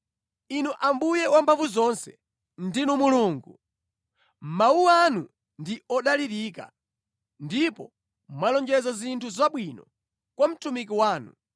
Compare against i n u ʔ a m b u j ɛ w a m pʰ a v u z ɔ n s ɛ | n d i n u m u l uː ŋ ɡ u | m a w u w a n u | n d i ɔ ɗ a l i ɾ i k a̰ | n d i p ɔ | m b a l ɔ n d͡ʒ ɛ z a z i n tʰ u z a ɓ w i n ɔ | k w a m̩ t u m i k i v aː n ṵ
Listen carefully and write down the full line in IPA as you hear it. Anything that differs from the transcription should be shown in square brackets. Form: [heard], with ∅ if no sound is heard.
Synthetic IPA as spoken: i n u ʔ a m b u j ɛ w a m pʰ a v u z ɔ n s ɛ | n d i n u m u l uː ŋ ɡ u | m a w u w a n u | n d i ɔ ɗ a l i ɾ i k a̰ | n d i p ɔ | m [w] a l ɔ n d͡ʒ ɛ z a z i n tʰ u z a ɓ w i n ɔ | k w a m̩ t u m i k i [w] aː n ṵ